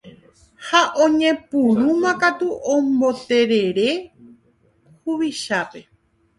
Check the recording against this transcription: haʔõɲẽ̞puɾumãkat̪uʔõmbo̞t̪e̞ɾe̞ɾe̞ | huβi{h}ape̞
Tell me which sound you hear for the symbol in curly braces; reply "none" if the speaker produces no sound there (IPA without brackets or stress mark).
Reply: ʃ